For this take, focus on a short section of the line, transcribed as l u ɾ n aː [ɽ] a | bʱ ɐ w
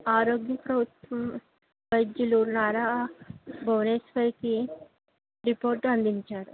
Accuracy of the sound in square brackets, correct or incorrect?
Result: incorrect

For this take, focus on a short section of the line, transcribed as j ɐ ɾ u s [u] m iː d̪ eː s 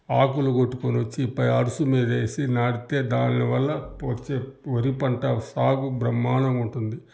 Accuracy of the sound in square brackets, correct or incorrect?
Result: correct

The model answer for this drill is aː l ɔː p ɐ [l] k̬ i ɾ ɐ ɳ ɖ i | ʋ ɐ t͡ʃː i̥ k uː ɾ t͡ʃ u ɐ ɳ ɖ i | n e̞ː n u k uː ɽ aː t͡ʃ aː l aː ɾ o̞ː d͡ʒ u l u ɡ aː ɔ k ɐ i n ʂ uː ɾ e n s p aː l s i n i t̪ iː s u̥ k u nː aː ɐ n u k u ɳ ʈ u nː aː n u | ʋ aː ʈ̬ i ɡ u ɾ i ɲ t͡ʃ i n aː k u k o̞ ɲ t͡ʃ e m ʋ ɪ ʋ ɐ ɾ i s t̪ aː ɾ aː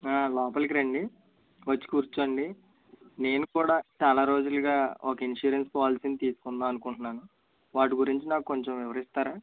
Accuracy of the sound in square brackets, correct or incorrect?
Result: correct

